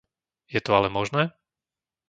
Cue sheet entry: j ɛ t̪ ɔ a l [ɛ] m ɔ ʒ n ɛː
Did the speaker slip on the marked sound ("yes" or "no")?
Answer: no